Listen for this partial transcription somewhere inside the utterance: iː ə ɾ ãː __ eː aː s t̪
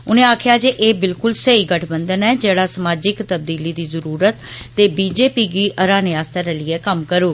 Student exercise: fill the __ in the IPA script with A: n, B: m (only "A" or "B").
A